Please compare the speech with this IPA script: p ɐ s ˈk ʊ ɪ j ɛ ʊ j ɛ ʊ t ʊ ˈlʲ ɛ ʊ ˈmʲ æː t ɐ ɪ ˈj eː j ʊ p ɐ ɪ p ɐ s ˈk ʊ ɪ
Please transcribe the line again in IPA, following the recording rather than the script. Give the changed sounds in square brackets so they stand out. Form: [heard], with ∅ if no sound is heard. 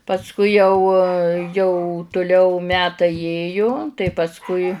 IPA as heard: p ɐ s ˈk ʊ ɪ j ɛ ʊ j ɛ ʊ t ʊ ˈlʲ ɛ ʊ ˈmʲ æː t ɐ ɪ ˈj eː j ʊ [t] ɐ ɪ p ɐ s ˈk ʊ ɪ